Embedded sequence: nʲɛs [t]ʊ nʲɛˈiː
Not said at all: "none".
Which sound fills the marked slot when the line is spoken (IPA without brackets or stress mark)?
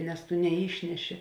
t